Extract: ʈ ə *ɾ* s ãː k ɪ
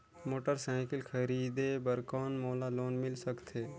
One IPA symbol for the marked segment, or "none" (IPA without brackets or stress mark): ɾ